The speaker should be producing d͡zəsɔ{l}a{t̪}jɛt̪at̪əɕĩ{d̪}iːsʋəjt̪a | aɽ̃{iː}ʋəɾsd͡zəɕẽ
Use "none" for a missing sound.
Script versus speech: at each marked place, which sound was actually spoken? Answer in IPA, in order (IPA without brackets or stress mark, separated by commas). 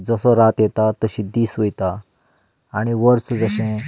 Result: ɾ, t̪, d̪, i